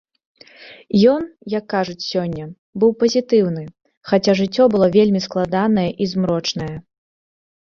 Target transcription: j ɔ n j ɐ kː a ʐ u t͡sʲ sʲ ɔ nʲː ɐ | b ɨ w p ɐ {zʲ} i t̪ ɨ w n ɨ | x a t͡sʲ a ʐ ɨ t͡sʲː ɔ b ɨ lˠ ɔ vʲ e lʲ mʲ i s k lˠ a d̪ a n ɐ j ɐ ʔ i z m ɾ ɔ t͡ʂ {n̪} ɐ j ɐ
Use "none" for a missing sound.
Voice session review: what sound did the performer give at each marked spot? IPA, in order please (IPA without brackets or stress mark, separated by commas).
zʲ, n̪